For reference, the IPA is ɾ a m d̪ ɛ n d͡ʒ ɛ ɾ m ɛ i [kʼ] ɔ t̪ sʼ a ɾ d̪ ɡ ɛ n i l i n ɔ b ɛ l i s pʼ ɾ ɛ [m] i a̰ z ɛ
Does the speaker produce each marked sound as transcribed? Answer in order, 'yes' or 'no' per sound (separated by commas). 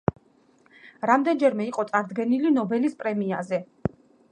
no, yes